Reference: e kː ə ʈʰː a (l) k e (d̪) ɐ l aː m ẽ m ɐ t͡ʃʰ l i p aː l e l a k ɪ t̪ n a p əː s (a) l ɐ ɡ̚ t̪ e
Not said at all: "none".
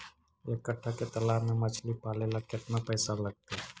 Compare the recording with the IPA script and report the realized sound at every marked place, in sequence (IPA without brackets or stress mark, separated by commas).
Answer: none, t̪, a